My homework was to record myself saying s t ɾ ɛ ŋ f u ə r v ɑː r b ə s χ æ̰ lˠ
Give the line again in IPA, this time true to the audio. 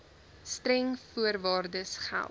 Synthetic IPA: s t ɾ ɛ ŋ f u ə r v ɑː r d ə s χ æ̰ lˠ